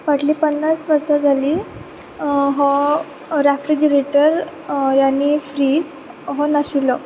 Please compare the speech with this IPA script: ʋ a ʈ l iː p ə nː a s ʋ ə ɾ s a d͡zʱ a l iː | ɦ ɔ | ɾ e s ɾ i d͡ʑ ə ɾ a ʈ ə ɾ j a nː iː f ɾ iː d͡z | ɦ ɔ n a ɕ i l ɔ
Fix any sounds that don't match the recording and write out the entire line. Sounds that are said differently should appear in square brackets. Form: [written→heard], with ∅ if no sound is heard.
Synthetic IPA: ʋ a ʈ l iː p ə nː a s ʋ ə ɾ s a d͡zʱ a l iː | ɦ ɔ | ɾ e [s→f] ɾ i d͡ʑ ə ɾ [a→e] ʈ ə ɾ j a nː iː f ɾ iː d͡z | ɦ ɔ n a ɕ i l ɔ